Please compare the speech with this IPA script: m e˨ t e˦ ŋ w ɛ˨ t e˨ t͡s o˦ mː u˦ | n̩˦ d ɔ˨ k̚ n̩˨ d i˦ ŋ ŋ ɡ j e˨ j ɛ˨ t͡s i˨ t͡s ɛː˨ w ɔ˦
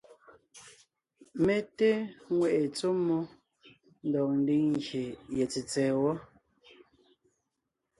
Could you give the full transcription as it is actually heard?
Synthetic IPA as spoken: m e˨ t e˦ ŋ w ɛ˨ ʔ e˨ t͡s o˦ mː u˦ | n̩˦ d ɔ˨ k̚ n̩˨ d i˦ ŋ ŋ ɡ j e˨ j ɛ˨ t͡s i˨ t͡s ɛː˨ w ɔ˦